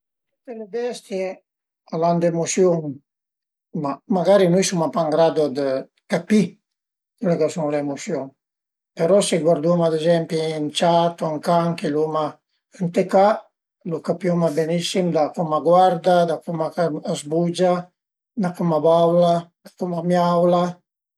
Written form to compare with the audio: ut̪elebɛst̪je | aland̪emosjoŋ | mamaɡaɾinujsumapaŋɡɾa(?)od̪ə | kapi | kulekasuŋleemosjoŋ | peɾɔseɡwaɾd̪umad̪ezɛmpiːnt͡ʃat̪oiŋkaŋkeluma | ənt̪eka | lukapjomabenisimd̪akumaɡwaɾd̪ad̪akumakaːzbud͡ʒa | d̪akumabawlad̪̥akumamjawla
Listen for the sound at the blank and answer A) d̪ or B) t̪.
A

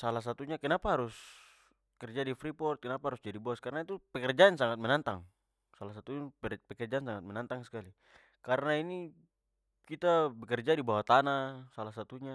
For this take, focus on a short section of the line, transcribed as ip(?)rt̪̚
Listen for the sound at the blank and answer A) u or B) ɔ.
B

